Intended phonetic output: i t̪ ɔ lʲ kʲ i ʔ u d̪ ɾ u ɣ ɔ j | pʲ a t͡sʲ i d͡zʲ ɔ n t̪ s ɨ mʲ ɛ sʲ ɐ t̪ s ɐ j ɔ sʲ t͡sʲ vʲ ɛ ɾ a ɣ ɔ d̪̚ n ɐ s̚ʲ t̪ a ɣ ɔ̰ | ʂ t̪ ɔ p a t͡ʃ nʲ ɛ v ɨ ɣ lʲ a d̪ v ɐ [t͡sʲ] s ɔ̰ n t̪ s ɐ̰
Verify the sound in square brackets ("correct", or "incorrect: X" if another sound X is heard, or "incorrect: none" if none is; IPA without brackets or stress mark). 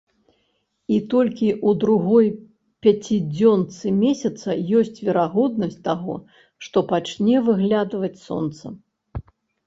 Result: correct